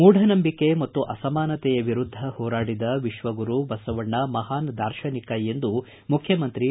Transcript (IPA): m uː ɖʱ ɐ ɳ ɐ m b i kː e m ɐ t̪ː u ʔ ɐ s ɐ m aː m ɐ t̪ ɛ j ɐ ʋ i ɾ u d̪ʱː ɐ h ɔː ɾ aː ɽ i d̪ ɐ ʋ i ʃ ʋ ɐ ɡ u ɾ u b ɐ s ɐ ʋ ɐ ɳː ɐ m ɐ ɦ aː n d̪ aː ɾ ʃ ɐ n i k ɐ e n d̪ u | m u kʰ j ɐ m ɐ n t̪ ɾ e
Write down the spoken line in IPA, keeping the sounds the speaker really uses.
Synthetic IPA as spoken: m uː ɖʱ ɐ n ɐ m b i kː e m ɐ t̪ː u ʔ ɐ s ɐ m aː n ɐ t̪ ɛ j ɐ ʋ i ɾ u d̪ʱː ɐ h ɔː ɾ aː ɽ i d̪ ɐ ʋ i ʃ ʋ ɐ ɡ u ɾ u b ɐ s ɐ ʋ ɐ ɳː ɐ m ɐ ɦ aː n d̪ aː ɾ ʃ ɐ n i k ɐ e n d̪ u | m u kʰ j ɐ m ɐ n t̪ ɾ i